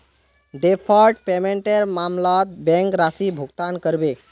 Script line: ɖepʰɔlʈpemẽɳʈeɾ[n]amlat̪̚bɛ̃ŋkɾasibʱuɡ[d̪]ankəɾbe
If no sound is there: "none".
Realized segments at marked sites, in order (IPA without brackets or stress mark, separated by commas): m, t̪